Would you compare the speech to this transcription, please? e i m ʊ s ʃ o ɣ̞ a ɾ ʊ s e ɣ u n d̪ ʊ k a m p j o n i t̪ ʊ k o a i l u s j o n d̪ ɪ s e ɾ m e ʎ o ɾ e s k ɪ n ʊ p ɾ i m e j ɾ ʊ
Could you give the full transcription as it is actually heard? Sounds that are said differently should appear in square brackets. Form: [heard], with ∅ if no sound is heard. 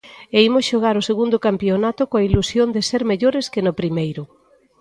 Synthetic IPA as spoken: e i m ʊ s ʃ o ɣ̞ a ɾ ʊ s e ɣ u n d̪ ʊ k a m p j o n [a] t̪ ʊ k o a i l u s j o n d̪ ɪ s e ɾ m e ʎ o ɾ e s k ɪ n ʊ p ɾ i m e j ɾ ʊ